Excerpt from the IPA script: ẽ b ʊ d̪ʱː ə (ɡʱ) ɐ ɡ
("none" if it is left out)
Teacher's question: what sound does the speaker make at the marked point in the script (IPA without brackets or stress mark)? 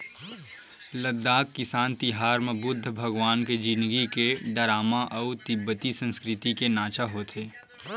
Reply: bʱ